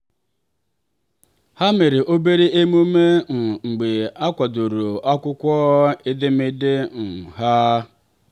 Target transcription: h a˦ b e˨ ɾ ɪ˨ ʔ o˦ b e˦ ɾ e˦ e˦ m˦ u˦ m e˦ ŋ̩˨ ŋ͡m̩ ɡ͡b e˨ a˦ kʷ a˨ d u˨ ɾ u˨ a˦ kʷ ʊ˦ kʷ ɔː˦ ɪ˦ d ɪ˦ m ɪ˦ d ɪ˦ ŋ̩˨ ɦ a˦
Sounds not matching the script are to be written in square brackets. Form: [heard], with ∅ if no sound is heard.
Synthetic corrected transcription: h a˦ [m] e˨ ɾ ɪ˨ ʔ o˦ b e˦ ɾ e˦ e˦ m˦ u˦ m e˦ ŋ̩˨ ŋ͡m̩ ɡ͡b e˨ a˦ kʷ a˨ d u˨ ɾ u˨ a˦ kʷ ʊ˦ kʷ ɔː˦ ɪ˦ d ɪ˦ m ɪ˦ d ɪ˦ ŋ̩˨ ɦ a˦